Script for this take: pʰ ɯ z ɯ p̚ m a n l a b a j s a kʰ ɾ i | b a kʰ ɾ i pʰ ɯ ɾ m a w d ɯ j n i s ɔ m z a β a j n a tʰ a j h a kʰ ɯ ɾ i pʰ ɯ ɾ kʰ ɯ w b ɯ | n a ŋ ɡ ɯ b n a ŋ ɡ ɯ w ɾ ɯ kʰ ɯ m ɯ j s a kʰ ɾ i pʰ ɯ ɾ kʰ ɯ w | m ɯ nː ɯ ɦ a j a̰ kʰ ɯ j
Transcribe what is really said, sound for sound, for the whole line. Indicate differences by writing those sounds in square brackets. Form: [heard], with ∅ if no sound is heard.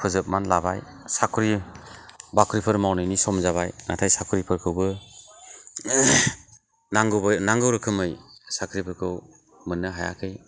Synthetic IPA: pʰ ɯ z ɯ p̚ m a n l a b a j s a kʰ ɾ i | b a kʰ ɾ i pʰ ɯ ɾ m a w [n] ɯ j n i s ɔ m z a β a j n a tʰ a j [s] a kʰ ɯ ɾ i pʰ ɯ ɾ kʰ ɯ w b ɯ | n a ŋ ɡ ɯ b n a ŋ ɡ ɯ w ɾ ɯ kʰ ɯ m ɯ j s a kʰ ɾ i pʰ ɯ ɾ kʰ ɯ w | m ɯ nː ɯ ɦ a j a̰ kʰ ɯ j